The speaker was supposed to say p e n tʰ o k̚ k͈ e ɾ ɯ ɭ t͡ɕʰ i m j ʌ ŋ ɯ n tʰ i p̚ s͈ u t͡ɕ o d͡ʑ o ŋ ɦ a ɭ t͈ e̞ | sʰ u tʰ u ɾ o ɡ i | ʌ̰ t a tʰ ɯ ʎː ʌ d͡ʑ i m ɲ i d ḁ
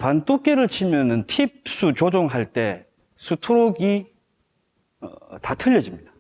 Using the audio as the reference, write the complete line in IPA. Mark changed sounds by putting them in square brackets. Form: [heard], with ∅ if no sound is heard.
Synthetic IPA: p [a] n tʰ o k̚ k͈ e ɾ ɯ ɭ t͡ɕʰ i m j ʌ [n] ɯ n tʰ i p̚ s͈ u t͡ɕ o d͡ʑ o ŋ ɦ a ɭ t͈ e̞ | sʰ u tʰ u ɾ o ɡ i | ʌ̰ t a tʰ ɯ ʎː ʌ d͡ʑ i m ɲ i d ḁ